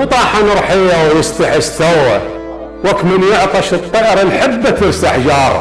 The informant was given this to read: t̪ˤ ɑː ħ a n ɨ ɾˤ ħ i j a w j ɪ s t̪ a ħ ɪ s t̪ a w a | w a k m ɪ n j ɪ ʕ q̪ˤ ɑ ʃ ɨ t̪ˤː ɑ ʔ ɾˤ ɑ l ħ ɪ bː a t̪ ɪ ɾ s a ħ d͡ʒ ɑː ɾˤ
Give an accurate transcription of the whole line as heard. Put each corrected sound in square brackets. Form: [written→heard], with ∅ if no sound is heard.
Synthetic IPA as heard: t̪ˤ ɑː ħ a n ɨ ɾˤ ħ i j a w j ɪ s t̪ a ħ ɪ s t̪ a w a | w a k m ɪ n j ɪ ʕ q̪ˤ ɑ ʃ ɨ t̪ˤː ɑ ʔ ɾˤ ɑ l ħ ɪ bː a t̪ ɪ ɾ s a ħ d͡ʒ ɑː ɾˤ